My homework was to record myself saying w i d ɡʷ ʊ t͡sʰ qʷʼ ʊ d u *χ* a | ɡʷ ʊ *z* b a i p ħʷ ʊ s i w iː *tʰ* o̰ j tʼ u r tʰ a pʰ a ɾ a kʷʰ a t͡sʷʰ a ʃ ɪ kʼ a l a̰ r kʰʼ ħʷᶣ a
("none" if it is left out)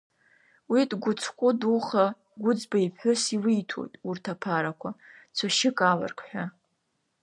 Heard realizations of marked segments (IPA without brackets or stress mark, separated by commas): χ, d͡z, tʰ